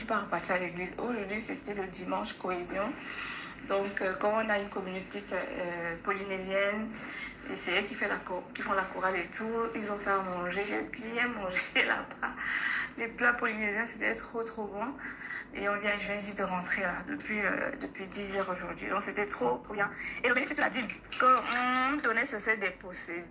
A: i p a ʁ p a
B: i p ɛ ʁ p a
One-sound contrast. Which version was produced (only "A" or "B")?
A